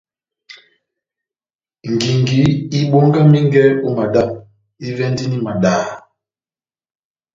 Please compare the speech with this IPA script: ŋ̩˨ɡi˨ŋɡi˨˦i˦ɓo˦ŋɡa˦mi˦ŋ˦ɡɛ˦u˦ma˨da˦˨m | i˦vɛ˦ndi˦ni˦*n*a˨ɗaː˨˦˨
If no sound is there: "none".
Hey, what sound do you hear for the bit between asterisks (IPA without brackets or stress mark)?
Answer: m